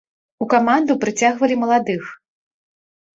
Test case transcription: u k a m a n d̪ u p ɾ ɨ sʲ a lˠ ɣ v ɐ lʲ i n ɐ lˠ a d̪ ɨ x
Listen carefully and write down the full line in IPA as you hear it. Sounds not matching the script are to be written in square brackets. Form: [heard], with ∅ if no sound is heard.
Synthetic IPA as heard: u k a m a n d̪ u p ɾ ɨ [t͡sʲ] a [∅] ɣ v ɐ lʲ i [m] ɐ lˠ a d̪ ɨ x